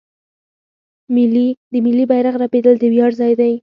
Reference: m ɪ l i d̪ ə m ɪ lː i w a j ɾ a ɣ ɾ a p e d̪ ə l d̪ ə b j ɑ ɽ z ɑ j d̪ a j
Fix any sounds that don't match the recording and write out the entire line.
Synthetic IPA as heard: m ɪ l i d̪ ə m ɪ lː i b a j ɾ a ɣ ɾ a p e d̪ ə l d̪ ə w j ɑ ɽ z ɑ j d̪ a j